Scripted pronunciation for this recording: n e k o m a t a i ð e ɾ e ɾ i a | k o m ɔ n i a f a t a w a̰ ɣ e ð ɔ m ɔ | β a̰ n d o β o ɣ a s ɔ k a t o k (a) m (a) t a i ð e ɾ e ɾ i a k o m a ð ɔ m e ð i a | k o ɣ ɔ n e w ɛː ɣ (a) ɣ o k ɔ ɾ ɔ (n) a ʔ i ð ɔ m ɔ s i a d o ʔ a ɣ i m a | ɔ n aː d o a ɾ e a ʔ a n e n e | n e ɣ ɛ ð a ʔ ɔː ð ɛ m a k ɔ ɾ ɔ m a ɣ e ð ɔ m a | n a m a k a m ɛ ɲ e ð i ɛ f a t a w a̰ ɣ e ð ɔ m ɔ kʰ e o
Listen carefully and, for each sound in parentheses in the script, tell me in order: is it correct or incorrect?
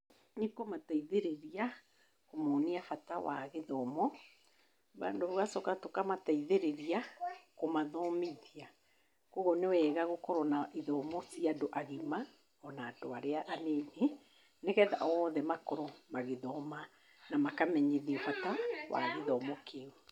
correct, correct, correct, correct

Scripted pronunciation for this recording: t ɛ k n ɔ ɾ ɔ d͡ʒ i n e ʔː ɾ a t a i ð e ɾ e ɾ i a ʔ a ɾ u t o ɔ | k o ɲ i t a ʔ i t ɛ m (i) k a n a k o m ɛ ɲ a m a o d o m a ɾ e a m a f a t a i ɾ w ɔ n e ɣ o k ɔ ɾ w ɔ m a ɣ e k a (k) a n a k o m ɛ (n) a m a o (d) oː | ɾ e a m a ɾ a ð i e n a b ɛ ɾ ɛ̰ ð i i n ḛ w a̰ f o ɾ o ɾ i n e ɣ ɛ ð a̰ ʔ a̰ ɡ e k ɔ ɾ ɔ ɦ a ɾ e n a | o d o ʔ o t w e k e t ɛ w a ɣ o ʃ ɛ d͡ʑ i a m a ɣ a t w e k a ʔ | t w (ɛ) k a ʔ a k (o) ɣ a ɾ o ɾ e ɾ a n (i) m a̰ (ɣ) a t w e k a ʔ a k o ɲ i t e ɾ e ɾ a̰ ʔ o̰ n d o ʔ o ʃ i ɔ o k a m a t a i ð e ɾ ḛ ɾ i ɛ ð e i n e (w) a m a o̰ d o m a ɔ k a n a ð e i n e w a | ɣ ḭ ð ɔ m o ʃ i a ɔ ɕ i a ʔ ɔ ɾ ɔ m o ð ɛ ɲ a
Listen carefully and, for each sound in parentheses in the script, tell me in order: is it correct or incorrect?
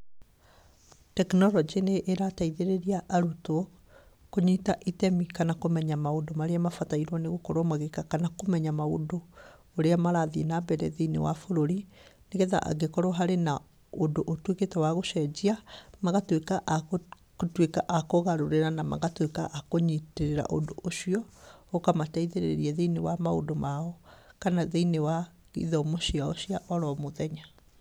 correct, correct, incorrect, correct, incorrect, correct, incorrect, correct, correct

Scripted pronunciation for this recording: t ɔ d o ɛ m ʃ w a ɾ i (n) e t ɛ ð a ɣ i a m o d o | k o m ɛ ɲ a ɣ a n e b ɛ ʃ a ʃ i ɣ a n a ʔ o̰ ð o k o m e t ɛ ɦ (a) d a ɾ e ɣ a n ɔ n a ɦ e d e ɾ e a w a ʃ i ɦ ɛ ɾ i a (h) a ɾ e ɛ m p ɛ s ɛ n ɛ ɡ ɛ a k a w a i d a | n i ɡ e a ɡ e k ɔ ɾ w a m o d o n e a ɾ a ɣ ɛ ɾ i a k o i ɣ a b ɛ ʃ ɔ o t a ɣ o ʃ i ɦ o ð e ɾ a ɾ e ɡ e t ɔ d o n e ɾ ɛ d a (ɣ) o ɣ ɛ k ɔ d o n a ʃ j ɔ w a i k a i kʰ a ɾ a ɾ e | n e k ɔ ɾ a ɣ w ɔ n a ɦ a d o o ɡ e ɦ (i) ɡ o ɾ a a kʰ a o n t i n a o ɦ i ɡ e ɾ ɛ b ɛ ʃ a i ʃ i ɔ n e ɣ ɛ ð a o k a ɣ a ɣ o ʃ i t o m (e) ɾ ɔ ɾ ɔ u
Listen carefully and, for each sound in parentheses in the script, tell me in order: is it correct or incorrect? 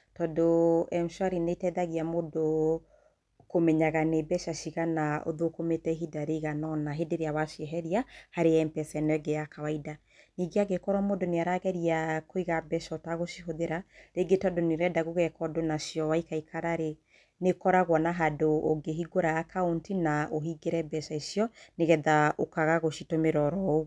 correct, incorrect, correct, correct, correct, correct

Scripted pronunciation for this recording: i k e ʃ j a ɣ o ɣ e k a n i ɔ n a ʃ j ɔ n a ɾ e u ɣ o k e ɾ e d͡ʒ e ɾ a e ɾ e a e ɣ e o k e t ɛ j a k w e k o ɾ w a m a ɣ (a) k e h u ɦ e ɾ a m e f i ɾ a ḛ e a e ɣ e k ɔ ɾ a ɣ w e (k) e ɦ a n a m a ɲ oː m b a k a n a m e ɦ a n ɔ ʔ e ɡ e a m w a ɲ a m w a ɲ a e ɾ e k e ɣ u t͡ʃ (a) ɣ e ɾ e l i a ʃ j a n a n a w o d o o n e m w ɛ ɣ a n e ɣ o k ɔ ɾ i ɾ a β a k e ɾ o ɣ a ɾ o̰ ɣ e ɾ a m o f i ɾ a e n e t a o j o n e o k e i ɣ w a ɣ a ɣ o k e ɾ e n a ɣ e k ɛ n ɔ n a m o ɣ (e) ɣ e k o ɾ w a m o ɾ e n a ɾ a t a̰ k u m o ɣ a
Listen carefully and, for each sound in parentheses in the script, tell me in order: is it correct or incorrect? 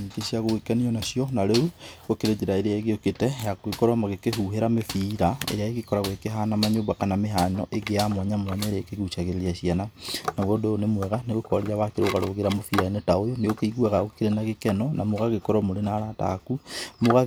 incorrect, correct, correct, incorrect

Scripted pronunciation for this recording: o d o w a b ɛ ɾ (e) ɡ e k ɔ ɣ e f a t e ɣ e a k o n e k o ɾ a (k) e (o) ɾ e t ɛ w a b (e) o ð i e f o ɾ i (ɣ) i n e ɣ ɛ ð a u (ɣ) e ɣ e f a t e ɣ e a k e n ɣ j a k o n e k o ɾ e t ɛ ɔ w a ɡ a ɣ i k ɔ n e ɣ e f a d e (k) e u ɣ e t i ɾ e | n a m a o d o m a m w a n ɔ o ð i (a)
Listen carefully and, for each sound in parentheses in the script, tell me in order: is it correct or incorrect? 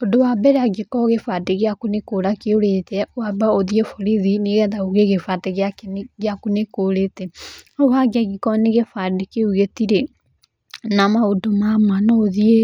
incorrect, correct, correct, incorrect, incorrect, correct, correct, incorrect

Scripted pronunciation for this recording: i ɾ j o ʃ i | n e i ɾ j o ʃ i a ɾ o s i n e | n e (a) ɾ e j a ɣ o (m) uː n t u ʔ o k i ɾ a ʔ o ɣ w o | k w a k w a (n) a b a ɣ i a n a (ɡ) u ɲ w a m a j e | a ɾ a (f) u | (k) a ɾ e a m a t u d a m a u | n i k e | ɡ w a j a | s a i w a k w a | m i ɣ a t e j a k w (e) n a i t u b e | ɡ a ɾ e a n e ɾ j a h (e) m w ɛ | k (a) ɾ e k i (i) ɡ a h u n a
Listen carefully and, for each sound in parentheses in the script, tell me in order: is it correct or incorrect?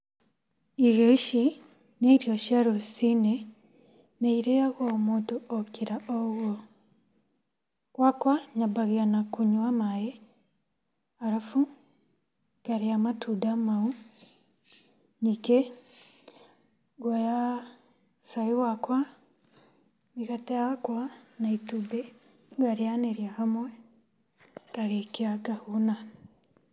incorrect, correct, incorrect, incorrect, correct, correct, incorrect, incorrect, correct, incorrect

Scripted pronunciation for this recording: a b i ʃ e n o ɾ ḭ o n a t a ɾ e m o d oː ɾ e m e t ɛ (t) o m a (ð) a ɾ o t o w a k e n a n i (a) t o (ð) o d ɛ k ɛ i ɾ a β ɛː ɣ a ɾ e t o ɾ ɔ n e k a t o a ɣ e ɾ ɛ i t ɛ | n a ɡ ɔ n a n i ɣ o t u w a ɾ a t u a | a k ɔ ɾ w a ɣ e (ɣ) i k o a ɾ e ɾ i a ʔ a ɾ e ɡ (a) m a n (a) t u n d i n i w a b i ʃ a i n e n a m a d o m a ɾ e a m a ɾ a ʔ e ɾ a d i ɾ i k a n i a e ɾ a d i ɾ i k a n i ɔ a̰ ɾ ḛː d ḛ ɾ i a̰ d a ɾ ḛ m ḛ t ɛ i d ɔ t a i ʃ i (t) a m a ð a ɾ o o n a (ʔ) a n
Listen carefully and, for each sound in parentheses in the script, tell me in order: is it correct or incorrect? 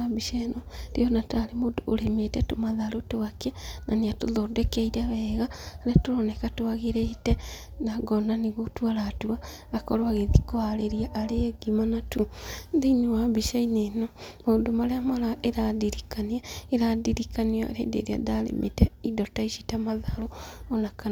correct, correct, correct, correct, incorrect, incorrect, correct, correct, incorrect

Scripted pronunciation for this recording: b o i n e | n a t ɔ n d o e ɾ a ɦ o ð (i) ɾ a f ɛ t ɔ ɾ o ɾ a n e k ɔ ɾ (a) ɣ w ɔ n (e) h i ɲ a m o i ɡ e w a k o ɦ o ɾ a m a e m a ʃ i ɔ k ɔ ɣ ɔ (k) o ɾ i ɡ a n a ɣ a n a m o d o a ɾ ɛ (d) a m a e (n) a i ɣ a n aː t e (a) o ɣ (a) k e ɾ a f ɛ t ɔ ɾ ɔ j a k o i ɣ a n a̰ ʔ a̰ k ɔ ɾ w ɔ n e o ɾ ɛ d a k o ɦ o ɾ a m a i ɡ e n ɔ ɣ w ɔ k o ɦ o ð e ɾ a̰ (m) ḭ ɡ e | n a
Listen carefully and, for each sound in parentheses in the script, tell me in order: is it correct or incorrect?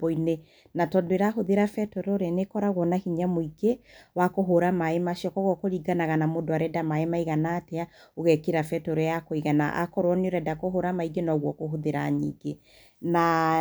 incorrect, correct, incorrect, correct, correct, incorrect, correct, incorrect, incorrect

